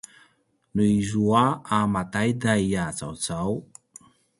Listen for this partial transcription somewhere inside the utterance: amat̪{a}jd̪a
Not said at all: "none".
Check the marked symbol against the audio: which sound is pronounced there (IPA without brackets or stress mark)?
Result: a